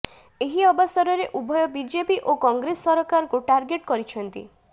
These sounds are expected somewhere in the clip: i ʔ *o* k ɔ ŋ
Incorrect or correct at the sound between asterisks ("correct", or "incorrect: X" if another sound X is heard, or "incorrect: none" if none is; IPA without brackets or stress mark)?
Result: correct